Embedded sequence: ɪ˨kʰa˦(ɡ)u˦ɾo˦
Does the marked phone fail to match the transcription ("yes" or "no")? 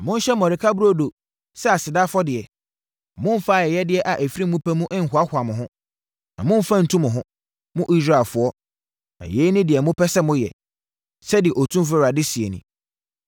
yes